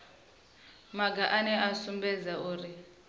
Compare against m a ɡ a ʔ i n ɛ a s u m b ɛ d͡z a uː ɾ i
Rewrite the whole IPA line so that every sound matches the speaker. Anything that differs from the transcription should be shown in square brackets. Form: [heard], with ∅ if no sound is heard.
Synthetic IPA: m a ɡ a ʔ [a] n ɛ a s u m b ɛ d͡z a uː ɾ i